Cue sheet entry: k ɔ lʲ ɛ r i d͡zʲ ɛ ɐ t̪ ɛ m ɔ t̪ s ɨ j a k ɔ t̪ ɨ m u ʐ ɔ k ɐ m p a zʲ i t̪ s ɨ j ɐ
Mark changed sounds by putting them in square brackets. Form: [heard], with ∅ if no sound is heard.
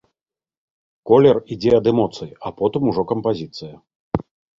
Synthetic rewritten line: k ɔ lʲ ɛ r i d͡zʲ ɛ ɐ [d̪] ɛ m ɔ t̪ s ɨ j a [p] ɔ t̪ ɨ m u ʐ ɔ k ɐ m p a zʲ i t̪ s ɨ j ɐ